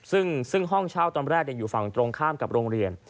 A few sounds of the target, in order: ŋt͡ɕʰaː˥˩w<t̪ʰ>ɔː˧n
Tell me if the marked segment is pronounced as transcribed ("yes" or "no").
no